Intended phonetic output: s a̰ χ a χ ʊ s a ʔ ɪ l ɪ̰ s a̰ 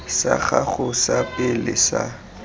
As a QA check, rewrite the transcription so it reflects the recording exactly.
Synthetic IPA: s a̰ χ a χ ʊ s a p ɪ l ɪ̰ s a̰